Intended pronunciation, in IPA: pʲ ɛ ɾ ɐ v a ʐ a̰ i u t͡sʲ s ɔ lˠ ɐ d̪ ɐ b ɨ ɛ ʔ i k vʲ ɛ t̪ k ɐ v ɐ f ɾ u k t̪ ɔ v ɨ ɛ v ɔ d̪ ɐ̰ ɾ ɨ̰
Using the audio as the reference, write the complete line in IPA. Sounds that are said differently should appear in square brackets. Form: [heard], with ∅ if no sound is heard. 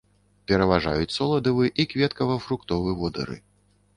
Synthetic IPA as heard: pʲ ɛ ɾ ɐ v a ʐ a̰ [j] u t͡sʲ s ɔ lˠ ɐ d̪ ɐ [v] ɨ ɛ ʔ i k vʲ ɛ t̪ k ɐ v ɐ f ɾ u k t̪ ɔ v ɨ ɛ v ɔ d̪ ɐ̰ ɾ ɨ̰